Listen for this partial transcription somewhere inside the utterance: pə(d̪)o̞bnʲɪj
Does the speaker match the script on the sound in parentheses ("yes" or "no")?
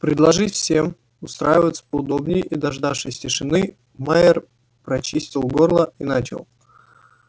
yes